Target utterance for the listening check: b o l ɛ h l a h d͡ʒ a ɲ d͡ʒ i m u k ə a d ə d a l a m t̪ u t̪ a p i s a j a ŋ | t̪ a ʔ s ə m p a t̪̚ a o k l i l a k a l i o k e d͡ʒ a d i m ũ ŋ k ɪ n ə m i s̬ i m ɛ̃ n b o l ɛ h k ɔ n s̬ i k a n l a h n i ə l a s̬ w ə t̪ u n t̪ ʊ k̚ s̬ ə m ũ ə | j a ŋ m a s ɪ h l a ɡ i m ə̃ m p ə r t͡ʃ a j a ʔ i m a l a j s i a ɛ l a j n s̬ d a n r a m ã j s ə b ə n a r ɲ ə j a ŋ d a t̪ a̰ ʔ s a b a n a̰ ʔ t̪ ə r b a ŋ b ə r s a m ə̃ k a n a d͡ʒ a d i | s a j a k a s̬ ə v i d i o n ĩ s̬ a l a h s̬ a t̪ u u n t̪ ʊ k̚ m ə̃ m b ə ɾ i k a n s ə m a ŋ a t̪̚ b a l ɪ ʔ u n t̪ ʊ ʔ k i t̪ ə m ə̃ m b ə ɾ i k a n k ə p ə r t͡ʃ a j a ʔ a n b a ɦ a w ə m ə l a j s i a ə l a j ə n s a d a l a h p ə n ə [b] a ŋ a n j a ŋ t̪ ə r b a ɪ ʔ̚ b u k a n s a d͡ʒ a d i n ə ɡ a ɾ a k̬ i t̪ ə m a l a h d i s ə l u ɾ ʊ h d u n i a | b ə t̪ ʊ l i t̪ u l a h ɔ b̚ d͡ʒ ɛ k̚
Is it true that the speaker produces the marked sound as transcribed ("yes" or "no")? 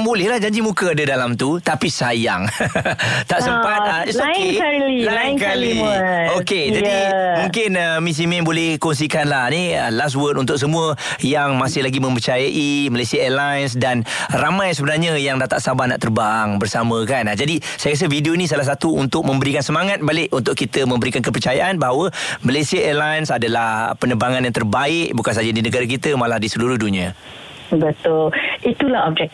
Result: yes